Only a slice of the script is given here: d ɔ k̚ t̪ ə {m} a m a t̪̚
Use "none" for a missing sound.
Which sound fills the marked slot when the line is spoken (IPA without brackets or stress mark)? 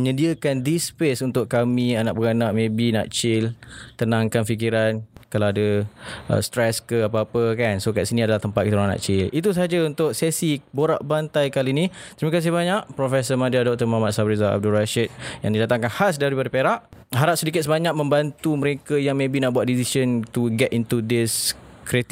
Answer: m